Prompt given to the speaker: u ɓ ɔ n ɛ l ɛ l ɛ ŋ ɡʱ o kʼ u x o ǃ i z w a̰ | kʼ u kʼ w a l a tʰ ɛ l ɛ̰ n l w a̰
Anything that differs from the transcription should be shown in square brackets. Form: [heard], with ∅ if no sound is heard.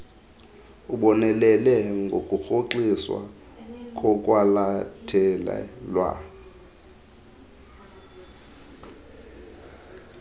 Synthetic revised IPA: u ɓ ɔ n ɛ l ɛ l ɛ ŋ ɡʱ o kʼ u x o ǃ i [s] w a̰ | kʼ [ɔ] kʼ w a l a tʰ ɛ l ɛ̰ [∅] l w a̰